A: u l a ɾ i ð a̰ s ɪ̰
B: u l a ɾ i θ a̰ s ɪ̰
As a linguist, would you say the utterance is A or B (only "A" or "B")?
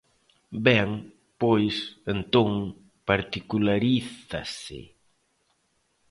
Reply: B